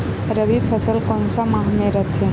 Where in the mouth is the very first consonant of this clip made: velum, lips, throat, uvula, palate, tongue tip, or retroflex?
tongue tip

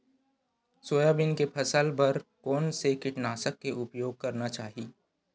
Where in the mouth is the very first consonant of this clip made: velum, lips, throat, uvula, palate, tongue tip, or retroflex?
tongue tip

